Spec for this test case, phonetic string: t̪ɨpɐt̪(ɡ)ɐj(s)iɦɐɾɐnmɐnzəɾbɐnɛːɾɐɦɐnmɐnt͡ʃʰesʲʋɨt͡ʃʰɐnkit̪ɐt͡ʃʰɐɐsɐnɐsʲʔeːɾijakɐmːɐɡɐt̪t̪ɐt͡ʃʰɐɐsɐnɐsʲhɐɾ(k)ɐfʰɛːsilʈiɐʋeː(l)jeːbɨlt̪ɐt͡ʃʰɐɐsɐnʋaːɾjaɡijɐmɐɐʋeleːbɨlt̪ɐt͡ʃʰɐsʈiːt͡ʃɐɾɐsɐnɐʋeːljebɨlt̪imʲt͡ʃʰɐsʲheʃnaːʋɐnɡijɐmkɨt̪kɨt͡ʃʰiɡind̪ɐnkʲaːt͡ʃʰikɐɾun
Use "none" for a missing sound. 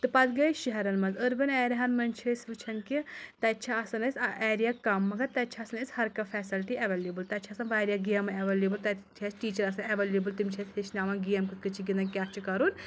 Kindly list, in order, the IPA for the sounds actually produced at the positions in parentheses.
ɡ, ʃ, k, l

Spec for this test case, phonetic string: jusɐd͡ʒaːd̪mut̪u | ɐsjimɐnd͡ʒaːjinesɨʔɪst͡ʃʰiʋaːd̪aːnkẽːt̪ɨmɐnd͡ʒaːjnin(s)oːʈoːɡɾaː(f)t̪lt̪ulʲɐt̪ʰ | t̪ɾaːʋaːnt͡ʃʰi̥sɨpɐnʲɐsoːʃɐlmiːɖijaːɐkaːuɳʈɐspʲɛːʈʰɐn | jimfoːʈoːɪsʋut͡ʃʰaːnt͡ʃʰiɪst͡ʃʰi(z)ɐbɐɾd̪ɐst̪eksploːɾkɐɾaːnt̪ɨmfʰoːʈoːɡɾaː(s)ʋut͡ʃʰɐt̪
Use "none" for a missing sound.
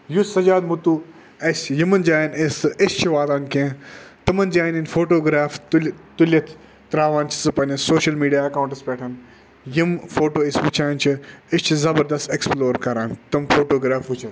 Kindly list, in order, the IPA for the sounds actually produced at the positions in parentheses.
f, f, z, f

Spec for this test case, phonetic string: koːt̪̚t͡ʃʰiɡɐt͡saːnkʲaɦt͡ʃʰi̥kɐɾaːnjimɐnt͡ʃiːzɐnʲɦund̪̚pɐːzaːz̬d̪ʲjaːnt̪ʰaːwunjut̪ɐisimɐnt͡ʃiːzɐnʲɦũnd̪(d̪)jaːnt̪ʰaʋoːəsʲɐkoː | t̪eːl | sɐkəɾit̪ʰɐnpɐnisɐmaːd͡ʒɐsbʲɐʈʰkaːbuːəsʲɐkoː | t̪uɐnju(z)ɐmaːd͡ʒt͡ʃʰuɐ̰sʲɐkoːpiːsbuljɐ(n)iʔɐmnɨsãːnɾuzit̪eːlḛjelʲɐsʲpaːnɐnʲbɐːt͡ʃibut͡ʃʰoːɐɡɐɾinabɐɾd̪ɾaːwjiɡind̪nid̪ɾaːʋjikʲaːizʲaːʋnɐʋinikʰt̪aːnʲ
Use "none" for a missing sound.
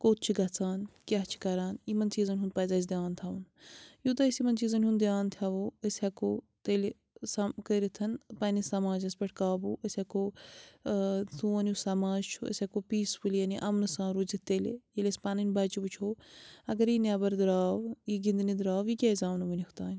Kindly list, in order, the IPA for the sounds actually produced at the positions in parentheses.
d̪, s, n

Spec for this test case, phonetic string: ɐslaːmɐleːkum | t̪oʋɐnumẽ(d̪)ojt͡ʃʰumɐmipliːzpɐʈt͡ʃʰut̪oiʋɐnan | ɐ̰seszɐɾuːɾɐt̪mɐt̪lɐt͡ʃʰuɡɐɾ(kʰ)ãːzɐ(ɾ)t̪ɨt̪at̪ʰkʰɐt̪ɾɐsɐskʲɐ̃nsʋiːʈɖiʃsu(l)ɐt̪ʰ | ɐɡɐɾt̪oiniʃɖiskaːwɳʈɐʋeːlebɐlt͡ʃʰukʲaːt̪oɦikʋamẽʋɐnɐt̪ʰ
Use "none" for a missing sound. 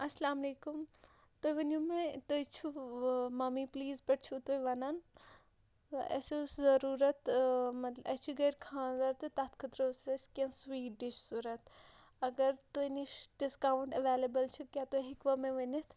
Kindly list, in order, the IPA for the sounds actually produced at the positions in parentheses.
t̪, kʰ, ɾ, ɾ

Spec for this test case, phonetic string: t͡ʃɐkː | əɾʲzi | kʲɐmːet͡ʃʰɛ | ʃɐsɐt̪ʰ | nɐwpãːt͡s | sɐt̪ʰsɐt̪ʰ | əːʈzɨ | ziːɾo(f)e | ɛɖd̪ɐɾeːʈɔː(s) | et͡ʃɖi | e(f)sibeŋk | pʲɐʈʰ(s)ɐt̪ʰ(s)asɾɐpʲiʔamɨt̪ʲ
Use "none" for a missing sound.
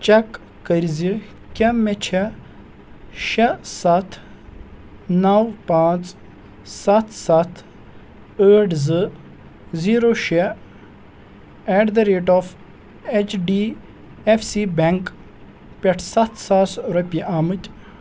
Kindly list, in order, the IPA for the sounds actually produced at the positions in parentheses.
ʃ, f, f, s, s

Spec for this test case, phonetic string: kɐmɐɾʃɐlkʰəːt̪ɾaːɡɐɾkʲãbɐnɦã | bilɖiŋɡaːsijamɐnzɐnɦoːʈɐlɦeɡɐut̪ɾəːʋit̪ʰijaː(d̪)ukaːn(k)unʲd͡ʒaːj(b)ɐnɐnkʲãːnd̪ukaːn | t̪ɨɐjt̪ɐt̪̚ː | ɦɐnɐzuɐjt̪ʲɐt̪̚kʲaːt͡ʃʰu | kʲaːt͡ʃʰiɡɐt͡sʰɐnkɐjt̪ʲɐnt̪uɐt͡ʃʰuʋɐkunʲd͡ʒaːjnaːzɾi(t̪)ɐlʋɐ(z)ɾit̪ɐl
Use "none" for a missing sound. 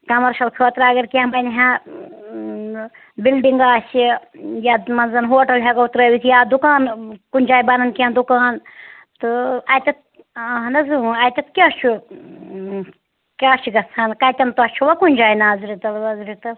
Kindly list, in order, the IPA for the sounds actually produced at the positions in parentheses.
d̪, k, b, t̪, z

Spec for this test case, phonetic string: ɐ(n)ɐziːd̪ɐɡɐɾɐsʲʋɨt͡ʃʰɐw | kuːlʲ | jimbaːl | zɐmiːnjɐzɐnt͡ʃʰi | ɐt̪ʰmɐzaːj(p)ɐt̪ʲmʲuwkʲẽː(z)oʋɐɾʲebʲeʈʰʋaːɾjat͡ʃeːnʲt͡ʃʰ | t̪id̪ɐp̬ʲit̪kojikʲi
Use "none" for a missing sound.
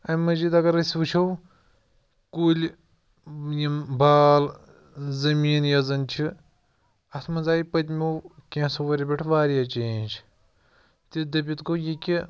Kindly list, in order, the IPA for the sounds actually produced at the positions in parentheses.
m, p, s

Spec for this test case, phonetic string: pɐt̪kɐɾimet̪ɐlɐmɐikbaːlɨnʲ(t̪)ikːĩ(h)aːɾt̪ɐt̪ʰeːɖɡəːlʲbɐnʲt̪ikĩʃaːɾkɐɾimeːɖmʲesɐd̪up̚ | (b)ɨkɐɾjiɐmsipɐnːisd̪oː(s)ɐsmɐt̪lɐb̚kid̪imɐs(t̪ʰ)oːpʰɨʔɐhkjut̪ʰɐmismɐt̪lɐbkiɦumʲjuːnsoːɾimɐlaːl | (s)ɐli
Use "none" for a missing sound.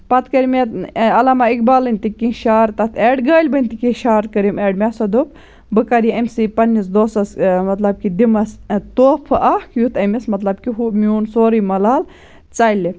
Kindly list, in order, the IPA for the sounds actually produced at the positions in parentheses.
t̪, ʃ, b, s, t̪, t͡s

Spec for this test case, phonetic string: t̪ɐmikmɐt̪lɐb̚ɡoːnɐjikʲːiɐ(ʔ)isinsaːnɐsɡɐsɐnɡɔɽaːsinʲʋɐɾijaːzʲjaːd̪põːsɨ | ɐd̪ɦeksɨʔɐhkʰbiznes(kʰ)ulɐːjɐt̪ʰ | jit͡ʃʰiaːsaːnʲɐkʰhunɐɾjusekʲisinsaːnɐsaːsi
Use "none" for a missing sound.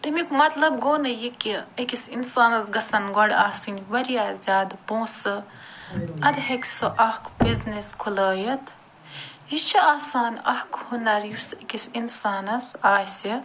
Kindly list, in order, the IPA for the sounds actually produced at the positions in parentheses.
k, kʰ

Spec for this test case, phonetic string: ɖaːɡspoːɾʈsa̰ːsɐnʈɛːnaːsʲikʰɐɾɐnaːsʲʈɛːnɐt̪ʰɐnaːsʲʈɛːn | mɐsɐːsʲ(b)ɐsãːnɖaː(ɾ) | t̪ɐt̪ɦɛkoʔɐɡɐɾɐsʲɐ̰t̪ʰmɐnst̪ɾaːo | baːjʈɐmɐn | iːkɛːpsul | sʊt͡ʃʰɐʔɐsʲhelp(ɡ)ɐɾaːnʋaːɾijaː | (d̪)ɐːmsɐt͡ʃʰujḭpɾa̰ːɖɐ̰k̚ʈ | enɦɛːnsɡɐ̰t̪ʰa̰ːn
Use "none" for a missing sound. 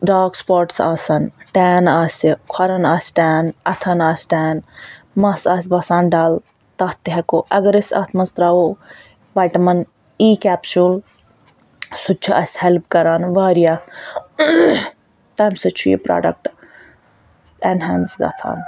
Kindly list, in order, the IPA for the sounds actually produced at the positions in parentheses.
b, l, k, t̪

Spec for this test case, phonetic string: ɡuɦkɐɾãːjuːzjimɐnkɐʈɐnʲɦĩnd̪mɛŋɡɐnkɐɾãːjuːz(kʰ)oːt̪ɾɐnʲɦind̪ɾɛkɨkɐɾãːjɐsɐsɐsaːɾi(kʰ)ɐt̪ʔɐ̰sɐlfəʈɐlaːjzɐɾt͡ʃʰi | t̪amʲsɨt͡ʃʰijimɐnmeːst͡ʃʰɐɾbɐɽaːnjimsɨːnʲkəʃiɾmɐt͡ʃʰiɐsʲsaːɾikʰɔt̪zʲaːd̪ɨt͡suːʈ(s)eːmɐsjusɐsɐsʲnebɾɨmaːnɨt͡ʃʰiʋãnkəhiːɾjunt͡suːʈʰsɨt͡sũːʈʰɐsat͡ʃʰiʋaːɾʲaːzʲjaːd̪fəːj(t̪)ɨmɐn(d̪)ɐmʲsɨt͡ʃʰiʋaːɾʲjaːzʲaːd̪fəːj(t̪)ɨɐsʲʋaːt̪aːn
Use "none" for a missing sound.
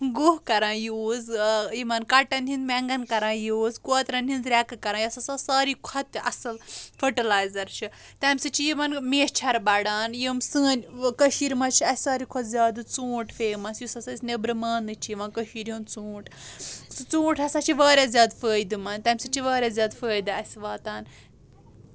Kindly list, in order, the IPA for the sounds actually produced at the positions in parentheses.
k, kʰ, f, d̪, t̪, d̪

